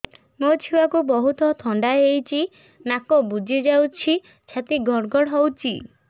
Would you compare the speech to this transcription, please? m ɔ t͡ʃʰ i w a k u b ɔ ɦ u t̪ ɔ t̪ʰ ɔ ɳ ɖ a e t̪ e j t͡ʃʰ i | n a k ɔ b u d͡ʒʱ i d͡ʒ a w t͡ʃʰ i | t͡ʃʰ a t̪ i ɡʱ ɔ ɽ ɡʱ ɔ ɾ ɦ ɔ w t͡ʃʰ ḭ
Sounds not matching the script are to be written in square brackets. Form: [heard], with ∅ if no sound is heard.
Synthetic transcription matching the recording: m [o] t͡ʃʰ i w a k u b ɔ ɦ u t̪ ɔ t̪ʰ ɔ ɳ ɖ a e [∅] e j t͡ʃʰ i | n a k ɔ b u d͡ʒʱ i d͡ʒ a w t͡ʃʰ i | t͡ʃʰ a t̪ i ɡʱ ɔ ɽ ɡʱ ɔ [ɽ] ɦ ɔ w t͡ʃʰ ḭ